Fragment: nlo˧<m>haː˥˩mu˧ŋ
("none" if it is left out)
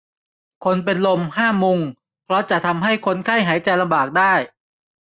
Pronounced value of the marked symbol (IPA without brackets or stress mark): m